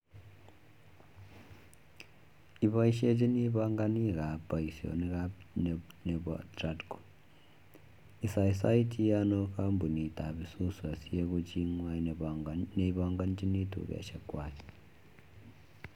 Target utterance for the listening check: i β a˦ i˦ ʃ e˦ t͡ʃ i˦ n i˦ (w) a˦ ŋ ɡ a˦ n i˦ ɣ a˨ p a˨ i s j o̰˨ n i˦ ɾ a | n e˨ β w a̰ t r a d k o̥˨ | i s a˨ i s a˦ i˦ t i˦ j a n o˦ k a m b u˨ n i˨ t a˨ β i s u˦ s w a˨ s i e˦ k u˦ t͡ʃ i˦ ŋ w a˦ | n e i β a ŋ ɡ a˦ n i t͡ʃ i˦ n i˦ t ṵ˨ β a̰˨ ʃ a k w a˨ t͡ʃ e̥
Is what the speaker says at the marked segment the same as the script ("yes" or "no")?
no